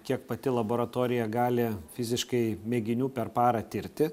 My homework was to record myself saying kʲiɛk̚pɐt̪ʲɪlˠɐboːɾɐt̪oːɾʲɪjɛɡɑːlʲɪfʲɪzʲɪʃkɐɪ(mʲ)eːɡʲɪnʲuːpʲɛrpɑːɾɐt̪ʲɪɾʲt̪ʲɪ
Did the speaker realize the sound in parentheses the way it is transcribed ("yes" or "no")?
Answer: yes